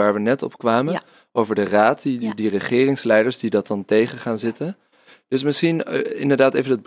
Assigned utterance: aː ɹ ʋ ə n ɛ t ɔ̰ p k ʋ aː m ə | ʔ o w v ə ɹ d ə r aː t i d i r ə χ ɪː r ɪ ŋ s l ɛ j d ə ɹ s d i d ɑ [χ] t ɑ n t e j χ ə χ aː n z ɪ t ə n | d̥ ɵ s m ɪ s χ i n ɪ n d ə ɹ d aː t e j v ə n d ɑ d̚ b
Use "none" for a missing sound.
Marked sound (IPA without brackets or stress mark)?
none